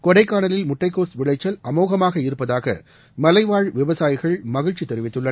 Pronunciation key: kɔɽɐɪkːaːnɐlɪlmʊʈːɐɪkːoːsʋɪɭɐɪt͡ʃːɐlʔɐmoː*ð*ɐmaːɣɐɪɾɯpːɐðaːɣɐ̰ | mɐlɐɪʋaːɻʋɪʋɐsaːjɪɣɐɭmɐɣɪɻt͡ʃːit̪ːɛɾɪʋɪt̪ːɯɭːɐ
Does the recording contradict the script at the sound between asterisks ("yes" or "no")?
yes